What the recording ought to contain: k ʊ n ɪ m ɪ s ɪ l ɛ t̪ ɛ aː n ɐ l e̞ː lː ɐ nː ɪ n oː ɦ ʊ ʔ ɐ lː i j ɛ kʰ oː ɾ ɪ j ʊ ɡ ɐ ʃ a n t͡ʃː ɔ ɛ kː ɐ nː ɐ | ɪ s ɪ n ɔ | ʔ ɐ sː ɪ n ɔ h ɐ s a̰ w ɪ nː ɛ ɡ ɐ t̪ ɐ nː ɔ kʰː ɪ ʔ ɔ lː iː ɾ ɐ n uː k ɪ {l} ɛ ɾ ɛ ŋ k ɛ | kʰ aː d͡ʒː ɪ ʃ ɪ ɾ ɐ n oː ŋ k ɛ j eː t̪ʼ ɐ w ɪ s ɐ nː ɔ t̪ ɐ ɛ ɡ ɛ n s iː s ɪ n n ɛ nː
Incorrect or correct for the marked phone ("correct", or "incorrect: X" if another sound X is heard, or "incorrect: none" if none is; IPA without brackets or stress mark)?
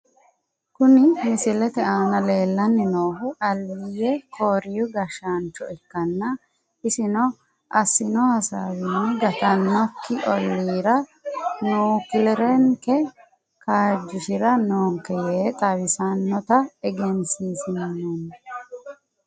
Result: correct